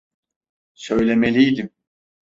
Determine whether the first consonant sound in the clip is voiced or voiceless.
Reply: voiceless